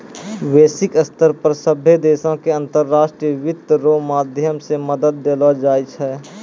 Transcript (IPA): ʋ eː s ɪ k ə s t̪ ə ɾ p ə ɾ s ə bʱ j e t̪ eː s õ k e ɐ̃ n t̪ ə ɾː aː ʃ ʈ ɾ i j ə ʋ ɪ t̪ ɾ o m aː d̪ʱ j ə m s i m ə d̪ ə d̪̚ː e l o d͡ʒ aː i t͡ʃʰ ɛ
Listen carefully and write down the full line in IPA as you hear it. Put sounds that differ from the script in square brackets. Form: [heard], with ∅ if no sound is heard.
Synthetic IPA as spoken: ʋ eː s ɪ k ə s t̪ ə ɾ p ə ɾ s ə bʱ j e [d̪] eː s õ k e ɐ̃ n t̪ ə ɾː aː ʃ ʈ ɾ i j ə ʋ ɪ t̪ ɾ o m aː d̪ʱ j ə m s [e] m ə d̪ ə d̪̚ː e l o d͡ʒ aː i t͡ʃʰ ɛ

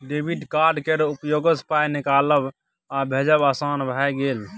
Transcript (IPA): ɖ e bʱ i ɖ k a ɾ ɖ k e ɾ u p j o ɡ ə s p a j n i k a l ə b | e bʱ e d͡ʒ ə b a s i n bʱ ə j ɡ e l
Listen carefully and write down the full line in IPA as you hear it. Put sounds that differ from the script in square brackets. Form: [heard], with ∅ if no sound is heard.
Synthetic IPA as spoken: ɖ e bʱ i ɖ k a ɾ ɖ k e ɾ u p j o ɡ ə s p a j n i k a l ə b | [a] bʱ e d͡ʒ ə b a s [a] n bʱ [a] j ɡ e l

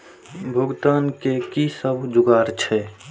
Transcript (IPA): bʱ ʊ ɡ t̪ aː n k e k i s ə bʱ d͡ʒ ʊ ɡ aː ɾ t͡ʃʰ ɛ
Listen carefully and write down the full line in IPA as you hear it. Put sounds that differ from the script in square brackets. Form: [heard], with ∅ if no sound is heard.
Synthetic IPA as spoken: bʱ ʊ ɡ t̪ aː n k e k i s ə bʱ d͡ʒ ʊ ɡ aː ɾ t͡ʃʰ ɛ

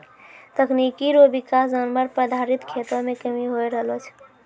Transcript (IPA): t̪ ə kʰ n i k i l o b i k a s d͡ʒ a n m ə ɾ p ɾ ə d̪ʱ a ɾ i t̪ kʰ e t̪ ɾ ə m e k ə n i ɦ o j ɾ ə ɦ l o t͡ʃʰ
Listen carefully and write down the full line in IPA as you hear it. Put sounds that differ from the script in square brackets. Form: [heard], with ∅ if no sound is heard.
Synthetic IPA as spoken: t̪ ə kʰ n i k i [ɾ] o b i k a s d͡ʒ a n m ə ɾ p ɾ ə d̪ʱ a ɾ i t̪ kʰ e t̪ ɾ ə m e k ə [m] i ɦ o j ɾ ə ɦ l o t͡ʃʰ

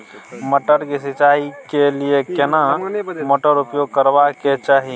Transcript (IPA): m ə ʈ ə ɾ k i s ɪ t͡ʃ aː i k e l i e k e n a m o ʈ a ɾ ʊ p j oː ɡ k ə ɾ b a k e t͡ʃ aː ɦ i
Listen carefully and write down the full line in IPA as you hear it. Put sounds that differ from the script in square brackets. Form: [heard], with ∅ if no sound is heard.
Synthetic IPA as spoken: m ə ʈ ə ɾ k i s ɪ t͡ʃ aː i k e l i e k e n a m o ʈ [ə] ɾ ʊ p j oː ɡ k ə ɾ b a k e t͡ʃ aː ɦ i

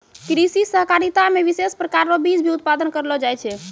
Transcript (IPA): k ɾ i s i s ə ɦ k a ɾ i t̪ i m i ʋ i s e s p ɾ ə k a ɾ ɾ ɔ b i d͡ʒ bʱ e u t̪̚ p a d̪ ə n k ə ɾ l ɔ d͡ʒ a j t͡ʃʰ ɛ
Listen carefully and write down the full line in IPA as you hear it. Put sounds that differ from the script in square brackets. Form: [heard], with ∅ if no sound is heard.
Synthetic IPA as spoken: k ɾ i s i s ə ɦ k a ɾ i t̪ [a] m [e] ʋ i s e s p ɾ ə k a ɾ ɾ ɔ b i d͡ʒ bʱ [i] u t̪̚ p a d̪ ə n k ə ɾ l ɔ d͡ʒ a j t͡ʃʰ ɛ

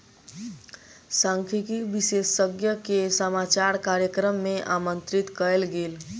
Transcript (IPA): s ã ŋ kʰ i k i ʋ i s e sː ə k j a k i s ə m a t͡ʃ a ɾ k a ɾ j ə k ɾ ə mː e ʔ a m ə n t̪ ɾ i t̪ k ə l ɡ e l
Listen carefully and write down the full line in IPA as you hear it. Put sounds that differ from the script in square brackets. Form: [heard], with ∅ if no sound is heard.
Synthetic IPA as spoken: s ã ŋ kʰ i k i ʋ i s e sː ə [ɡ] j [ə] k [e] s ə m a t͡ʃ a ɾ k a ɾ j ə k ɾ ə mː e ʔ a m ə n t̪ ɾ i t̪ k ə l ɡ e l

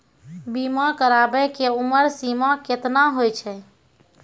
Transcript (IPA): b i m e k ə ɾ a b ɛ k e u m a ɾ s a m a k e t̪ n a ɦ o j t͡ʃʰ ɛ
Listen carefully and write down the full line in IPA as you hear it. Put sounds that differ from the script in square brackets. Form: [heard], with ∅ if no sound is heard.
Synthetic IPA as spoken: b i m [a] k ə ɾ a b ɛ k e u m [ə] ɾ s [i] m a k e t̪ n a ɦ o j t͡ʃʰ ɛ

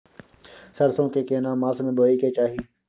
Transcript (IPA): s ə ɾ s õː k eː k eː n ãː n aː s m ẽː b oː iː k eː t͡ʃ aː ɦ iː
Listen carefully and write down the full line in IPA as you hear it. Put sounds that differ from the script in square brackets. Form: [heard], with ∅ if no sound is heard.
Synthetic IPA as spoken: s ə ɾ s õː k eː k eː n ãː [m] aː s m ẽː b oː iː k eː t͡ʃ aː ɦ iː

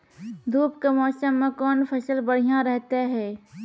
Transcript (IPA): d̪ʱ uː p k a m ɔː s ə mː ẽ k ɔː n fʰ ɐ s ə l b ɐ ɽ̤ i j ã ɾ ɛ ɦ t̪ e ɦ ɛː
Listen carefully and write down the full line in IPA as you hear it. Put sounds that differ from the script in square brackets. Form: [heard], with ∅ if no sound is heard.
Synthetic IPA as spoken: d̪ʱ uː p k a m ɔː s ə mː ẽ k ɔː n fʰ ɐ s ə l b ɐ ɽ̤ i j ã ɾ ɛ ɦ t̪ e ɦ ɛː

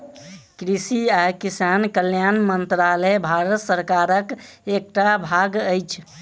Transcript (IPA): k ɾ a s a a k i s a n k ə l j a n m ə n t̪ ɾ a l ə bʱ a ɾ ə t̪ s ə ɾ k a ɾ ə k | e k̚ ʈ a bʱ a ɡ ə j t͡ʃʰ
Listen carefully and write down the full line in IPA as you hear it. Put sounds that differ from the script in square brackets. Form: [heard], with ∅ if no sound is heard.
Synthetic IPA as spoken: k ɾ [i] s [i] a k i s a n k ə l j a n m ə n t̪ ɾ a l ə bʱ a ɾ ə t̪ s ə ɾ k a ɾ ə k | e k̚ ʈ a bʱ a ɡ ə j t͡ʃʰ

